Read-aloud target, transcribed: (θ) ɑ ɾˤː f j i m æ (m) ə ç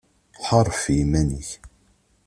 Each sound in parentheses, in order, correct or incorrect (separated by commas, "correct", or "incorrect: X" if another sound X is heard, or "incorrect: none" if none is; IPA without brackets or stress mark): incorrect: ħ, incorrect: n